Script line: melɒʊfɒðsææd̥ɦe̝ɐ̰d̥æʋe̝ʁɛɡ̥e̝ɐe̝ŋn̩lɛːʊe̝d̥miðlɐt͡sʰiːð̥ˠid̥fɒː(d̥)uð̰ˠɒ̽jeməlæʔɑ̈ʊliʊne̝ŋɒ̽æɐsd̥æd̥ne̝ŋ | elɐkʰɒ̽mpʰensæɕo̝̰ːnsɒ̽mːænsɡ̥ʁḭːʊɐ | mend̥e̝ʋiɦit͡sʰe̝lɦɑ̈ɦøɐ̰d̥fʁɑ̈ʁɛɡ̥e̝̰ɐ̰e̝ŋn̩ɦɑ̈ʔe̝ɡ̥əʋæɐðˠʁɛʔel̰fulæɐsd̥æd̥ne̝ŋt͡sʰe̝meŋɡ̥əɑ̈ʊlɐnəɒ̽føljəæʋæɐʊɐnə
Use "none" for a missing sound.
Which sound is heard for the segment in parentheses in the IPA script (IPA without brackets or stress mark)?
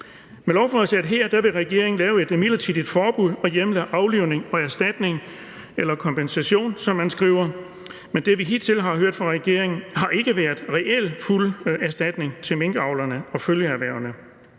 b̥